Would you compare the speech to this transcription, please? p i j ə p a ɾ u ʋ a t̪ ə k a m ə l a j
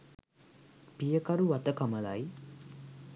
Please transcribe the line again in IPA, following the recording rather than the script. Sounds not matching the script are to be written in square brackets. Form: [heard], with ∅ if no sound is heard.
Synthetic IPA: p i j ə [k] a ɾ u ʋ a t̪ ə k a m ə l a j